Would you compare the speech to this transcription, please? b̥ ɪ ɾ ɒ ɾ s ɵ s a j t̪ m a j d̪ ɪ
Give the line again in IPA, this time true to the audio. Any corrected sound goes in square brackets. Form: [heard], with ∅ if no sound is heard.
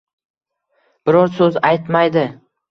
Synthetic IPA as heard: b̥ ɪ ɾ ɒ ɾ s ɵ [z] a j t̪ m a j d̪ ɪ